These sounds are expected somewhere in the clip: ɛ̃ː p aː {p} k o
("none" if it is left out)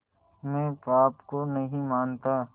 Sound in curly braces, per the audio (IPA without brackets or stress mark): p